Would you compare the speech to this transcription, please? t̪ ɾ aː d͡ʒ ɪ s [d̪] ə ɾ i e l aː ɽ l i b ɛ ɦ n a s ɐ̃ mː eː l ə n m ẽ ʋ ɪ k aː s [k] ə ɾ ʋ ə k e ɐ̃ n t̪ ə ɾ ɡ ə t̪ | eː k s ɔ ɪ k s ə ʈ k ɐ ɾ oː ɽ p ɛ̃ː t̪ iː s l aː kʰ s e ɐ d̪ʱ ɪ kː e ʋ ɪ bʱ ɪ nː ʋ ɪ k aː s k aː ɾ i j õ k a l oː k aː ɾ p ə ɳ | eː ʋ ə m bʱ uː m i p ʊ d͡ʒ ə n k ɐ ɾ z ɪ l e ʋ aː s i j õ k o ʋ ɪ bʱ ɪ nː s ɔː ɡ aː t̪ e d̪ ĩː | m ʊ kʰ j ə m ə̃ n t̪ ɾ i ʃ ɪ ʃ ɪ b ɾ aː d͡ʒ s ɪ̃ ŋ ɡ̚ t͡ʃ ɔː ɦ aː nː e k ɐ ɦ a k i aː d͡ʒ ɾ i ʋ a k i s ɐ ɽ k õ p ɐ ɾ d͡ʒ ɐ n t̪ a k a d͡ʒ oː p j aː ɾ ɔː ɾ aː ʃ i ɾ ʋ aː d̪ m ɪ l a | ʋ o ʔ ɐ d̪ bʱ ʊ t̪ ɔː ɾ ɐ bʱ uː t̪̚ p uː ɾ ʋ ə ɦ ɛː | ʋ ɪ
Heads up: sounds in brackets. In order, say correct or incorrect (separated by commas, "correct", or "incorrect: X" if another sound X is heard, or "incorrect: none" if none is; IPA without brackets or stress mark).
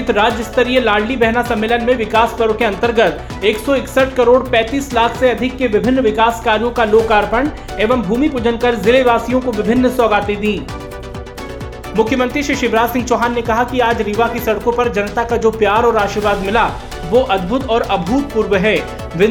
incorrect: t̪, incorrect: p